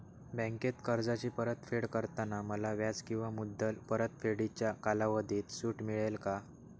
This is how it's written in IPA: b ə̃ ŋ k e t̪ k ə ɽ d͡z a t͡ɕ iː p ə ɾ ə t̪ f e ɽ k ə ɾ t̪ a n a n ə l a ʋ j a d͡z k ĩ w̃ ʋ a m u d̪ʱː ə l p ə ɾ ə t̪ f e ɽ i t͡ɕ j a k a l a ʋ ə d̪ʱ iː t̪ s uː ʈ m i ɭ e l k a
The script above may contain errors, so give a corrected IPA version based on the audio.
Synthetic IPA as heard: b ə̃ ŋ k e t̪ k ə ɾ d͡z a t͡ɕ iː p ə ɾ ə t̪ f e ɽ k ə ɾ t̪ a n a m ə l a ʋ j a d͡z k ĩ w̃ ʋ a m u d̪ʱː ə l p ə ɾ ə t̪ f e ɽ i t͡ɕ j a k a l a ʋ ə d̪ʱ iː t̪ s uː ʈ m i ɭ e l k a